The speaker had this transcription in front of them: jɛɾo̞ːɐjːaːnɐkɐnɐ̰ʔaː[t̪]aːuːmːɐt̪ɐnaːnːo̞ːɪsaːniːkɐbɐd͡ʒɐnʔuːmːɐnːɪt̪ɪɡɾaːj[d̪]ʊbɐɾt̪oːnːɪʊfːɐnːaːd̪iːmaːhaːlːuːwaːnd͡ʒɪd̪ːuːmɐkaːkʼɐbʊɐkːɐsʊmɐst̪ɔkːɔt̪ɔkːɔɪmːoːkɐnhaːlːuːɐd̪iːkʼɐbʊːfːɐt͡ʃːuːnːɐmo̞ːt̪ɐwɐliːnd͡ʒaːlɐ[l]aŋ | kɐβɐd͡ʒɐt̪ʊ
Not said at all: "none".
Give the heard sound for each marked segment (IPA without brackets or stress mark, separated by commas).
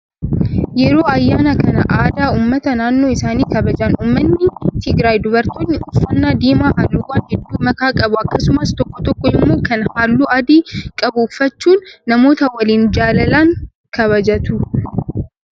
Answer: d̪, d̪, l